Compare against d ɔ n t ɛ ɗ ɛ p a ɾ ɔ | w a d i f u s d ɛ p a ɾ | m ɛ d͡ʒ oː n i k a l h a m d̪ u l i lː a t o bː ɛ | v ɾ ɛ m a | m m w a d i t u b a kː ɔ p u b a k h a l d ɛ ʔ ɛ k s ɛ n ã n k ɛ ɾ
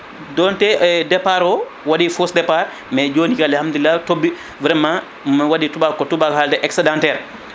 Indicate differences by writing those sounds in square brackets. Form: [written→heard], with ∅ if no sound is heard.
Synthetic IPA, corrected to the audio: d ɔ n t ɛ [ɗ→d] ɛ p a ɾ ɔ | w a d i f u s d ɛ p a ɾ | m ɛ d͡ʒ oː n i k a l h a m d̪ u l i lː a t o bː [ɛ→i] | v ɾ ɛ m a | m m w a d i t u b a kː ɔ [p→t] u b a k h a l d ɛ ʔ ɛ k s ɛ [n→d] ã n [k→t] ɛ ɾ